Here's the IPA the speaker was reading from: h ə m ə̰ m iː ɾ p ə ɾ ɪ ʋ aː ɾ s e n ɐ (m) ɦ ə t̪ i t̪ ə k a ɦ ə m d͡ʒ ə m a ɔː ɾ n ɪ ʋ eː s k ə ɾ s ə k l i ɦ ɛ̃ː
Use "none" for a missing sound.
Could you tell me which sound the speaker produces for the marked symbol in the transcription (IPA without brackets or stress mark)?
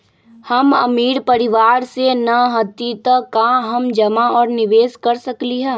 none